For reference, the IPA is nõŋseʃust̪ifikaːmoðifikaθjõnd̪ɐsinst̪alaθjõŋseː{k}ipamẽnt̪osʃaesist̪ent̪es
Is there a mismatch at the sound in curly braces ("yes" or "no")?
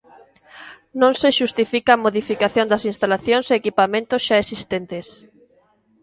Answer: no